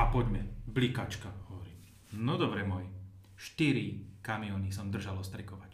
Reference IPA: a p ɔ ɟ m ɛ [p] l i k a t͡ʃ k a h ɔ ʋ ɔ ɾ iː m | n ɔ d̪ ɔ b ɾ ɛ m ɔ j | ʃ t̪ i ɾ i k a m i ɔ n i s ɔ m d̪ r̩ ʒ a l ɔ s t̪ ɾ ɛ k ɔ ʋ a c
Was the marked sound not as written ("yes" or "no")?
yes